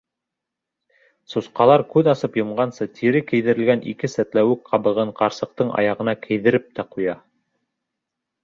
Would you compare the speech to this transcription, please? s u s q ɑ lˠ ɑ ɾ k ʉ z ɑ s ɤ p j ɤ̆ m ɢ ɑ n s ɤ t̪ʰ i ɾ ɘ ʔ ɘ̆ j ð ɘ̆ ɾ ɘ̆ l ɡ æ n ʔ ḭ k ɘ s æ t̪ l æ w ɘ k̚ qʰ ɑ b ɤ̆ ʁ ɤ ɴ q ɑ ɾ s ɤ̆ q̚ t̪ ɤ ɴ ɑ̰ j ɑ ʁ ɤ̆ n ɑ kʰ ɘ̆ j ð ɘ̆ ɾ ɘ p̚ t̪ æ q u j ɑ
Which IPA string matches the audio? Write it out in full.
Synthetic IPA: s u s q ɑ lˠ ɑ ɾ k ʉ ð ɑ s ɤ p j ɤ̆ m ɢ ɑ n s ɤ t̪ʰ i ɾ ɘ k ɘ̆ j ð ɘ̆ ɾ ɘ̆ l ɡ æ n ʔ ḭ k ɘ s æ t̪ l æ w ɘ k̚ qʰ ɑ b ɤ̆ ʁ ɤ ɴ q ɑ ɾ s ɤ̆ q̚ t̪ ɤ ɴ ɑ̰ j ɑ ʁ ɤ̆ n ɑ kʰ ɘ̆ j ð ɘ̆ ɾ ɘ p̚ t̪ æ q u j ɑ